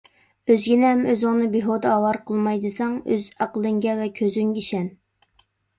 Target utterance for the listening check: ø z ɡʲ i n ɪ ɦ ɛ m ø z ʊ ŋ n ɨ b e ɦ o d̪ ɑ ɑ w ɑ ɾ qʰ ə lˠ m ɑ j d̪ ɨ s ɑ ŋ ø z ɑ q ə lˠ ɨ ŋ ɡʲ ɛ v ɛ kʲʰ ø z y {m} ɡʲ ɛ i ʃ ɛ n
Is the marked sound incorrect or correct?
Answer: incorrect: ŋ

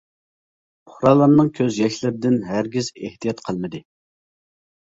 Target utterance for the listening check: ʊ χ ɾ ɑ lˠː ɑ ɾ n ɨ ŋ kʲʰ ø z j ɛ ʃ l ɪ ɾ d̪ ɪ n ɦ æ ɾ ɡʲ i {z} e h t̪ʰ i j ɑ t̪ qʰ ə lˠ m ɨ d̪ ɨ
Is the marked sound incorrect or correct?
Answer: correct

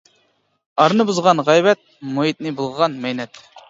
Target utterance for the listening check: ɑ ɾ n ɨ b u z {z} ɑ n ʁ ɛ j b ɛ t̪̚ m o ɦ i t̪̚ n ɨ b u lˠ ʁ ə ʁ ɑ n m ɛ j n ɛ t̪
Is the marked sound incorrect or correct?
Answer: incorrect: ʁ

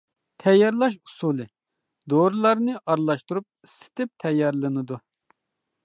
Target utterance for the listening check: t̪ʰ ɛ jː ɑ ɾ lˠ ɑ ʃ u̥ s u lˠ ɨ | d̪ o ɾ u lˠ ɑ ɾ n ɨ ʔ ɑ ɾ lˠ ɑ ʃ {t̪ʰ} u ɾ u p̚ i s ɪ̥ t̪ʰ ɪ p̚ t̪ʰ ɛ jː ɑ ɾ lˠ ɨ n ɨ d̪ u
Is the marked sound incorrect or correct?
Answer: incorrect: t̪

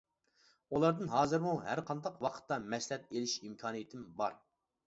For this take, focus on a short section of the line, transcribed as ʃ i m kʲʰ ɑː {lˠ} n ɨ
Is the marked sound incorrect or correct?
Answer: incorrect: none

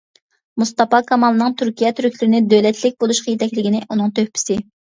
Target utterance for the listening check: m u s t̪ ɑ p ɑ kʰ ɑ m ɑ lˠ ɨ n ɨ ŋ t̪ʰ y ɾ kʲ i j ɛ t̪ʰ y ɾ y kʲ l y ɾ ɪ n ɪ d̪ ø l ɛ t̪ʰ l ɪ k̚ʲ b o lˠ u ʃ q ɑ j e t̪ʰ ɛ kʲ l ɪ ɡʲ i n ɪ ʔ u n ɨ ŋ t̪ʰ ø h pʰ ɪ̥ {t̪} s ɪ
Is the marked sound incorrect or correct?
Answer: incorrect: none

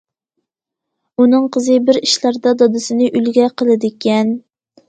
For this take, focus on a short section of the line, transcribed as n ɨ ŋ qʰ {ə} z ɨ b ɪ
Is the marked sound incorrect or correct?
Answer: correct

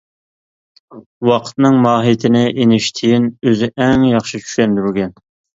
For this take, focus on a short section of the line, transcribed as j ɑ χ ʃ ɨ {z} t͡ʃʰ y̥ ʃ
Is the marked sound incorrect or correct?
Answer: incorrect: none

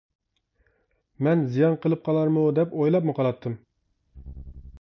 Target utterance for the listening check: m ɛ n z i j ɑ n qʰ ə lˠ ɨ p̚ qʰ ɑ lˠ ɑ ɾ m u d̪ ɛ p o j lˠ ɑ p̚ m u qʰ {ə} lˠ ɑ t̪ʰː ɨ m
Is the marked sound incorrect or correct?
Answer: incorrect: ɑ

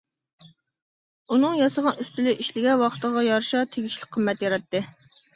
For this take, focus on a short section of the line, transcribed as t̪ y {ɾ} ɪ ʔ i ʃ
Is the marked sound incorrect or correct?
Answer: incorrect: l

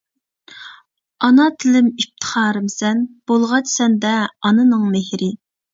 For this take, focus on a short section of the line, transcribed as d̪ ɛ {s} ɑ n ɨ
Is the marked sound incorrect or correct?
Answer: incorrect: none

